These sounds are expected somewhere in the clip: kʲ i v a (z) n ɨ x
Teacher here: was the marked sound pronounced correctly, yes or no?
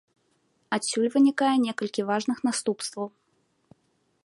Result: no